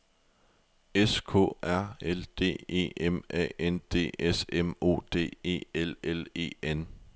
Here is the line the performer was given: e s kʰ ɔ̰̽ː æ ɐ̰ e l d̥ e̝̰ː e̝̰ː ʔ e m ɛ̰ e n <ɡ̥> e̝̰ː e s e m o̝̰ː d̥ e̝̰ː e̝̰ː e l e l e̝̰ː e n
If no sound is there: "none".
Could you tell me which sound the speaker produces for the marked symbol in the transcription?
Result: d̥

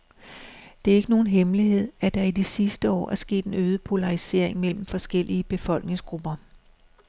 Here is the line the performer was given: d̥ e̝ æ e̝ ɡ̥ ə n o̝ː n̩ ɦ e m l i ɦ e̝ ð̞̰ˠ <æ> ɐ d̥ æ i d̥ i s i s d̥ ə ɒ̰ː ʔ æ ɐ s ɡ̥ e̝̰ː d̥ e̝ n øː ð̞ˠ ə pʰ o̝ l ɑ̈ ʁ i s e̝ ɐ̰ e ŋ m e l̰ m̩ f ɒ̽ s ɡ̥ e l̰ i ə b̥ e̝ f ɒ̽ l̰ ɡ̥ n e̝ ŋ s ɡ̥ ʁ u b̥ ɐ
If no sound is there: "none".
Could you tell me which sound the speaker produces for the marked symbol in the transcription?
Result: æ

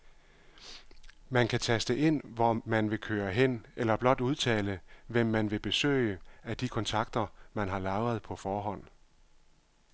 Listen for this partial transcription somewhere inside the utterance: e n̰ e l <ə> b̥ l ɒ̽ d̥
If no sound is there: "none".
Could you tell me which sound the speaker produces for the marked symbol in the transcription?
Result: ɐ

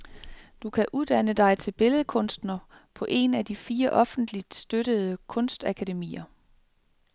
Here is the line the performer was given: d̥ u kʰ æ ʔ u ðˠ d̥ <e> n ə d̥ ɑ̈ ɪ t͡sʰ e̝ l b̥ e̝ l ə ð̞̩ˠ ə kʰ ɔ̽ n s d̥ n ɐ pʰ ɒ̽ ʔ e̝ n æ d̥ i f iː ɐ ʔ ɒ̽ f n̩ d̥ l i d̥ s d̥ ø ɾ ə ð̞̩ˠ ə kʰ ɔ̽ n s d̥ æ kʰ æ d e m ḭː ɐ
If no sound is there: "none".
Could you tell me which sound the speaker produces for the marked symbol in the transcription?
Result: æ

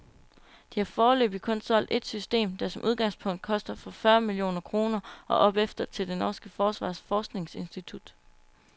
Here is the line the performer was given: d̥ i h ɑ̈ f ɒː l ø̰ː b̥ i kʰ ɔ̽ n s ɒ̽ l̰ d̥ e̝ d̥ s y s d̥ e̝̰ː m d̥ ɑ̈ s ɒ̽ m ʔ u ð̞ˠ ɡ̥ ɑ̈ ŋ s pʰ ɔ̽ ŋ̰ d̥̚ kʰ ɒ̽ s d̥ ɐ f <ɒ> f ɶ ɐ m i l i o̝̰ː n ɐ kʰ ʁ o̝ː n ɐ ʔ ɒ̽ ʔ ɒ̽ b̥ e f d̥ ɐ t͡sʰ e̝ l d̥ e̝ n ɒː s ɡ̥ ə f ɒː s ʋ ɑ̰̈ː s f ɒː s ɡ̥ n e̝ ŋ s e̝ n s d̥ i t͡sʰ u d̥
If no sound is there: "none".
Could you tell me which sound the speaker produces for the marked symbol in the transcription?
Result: ɒ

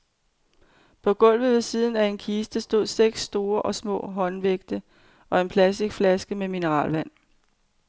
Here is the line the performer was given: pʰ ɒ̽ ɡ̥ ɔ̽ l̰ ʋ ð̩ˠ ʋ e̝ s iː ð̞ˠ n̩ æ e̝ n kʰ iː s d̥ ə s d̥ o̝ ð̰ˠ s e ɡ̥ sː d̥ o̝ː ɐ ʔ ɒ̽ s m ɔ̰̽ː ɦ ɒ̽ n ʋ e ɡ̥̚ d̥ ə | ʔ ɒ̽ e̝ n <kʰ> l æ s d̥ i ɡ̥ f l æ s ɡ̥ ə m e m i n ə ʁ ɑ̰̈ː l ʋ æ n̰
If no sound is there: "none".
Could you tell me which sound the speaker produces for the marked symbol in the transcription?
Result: pʰ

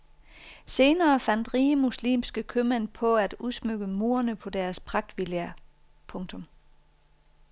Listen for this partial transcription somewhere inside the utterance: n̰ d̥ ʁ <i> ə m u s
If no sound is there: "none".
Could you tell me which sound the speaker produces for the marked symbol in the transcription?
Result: iː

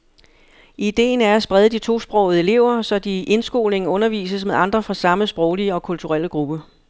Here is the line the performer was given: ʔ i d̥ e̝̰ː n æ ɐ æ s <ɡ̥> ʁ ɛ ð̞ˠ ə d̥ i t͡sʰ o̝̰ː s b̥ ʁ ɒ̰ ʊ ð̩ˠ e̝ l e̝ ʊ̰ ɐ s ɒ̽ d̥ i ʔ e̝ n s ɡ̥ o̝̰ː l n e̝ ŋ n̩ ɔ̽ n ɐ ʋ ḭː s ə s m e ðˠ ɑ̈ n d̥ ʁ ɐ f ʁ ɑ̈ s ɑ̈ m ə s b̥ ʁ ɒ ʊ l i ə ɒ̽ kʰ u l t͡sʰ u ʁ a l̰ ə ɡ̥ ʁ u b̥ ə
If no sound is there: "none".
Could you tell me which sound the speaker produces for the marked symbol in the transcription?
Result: b̥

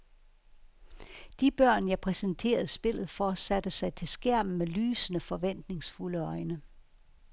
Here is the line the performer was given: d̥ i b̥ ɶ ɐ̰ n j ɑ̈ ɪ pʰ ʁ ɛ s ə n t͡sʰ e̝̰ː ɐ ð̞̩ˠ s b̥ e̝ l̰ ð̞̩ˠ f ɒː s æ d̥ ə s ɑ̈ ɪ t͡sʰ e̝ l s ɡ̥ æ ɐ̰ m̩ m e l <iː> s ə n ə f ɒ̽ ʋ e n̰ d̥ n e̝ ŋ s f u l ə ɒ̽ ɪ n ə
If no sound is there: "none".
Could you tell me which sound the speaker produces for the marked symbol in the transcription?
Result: yː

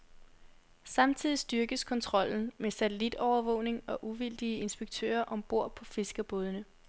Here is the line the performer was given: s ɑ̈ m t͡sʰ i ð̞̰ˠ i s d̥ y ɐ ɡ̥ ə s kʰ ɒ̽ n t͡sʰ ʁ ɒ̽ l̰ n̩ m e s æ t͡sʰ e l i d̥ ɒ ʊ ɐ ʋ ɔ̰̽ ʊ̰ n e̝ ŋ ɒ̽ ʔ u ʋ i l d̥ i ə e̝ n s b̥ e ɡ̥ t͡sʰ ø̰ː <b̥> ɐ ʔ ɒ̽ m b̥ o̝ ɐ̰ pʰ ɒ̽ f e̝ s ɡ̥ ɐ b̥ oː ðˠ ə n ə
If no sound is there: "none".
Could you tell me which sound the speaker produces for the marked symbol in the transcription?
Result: none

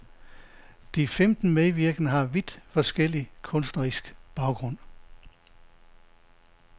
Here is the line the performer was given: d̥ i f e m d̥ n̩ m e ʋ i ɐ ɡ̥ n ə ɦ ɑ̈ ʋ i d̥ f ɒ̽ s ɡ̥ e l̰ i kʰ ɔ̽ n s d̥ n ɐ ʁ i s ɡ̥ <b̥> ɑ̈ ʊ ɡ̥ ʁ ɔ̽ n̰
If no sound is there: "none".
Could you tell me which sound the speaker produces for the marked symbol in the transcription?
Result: b̥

